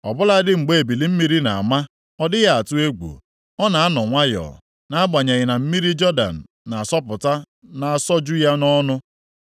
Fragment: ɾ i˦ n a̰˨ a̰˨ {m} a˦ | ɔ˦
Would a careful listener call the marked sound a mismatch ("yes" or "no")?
no